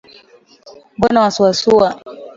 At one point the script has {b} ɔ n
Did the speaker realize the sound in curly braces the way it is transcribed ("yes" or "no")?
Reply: yes